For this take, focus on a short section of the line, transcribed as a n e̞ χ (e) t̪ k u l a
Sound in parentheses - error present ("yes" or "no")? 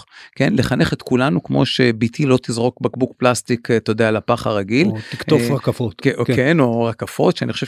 no